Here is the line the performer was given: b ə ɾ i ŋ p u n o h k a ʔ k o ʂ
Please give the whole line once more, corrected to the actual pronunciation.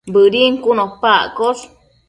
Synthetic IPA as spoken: b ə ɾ i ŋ k u n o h p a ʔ k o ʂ